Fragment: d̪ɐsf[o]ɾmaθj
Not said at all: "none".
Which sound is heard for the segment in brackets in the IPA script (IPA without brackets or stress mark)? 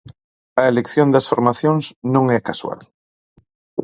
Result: o